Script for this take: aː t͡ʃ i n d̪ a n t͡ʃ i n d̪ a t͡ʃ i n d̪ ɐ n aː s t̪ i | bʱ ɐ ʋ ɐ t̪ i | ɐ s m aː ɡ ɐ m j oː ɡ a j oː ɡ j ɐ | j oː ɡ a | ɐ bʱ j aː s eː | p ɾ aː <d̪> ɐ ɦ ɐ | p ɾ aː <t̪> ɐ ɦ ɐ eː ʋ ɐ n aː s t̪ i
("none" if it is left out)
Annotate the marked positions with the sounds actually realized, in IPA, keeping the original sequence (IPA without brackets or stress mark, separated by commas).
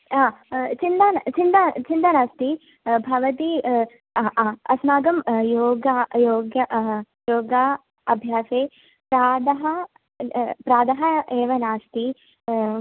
d̪, d̪